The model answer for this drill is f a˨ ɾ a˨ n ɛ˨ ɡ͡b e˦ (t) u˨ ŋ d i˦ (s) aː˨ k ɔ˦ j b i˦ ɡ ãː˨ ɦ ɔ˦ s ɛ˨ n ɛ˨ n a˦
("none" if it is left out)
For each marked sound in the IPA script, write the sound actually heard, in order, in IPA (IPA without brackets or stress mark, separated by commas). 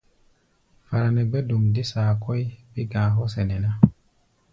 d, s